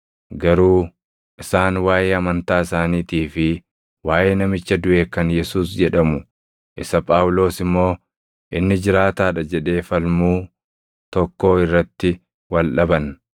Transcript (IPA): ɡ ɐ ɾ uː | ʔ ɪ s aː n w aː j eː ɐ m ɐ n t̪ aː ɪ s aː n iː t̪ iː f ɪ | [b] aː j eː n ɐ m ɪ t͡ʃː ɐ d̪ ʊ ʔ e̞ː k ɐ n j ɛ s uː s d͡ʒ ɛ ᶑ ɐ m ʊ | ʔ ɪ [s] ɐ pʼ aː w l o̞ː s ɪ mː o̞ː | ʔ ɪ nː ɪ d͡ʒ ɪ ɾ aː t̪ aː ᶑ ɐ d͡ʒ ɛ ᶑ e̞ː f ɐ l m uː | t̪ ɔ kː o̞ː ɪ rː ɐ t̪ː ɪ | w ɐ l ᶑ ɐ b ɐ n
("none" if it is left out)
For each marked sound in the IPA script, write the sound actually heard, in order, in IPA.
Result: w, s

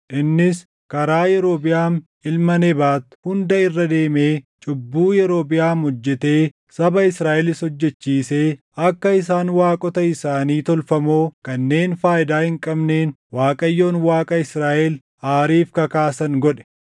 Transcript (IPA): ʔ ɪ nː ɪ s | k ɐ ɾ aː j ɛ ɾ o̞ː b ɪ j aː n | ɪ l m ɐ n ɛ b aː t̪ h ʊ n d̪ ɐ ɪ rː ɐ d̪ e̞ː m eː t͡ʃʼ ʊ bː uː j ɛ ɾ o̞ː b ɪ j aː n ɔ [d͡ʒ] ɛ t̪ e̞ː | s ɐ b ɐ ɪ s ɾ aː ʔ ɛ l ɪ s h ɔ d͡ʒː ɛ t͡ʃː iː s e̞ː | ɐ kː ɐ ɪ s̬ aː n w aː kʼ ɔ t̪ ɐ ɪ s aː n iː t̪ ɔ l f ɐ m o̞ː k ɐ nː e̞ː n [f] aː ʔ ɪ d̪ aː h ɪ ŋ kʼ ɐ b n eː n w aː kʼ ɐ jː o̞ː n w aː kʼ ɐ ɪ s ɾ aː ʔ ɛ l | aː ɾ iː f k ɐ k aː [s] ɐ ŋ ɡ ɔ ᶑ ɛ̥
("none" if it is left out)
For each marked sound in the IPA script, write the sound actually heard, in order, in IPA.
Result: d͡ʒː, f, s

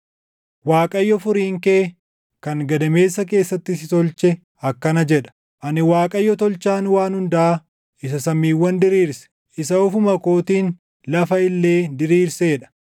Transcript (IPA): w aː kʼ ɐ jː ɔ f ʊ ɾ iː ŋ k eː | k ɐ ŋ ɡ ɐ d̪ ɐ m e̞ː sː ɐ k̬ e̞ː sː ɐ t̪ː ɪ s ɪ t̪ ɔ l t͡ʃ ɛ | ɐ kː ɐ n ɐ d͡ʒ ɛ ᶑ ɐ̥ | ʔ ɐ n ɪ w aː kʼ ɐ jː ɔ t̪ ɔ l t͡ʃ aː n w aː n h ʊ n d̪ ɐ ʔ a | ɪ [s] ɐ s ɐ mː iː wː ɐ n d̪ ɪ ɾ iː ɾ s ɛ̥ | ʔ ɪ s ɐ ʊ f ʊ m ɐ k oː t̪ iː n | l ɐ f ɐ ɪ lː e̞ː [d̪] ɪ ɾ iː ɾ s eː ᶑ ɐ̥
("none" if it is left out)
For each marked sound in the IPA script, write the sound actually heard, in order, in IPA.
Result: s, d̪

